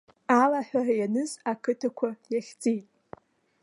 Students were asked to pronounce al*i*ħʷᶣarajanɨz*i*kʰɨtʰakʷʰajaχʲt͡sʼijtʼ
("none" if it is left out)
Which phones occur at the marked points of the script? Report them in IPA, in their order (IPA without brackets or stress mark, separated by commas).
a, a